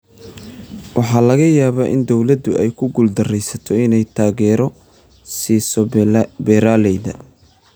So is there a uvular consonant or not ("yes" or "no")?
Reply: no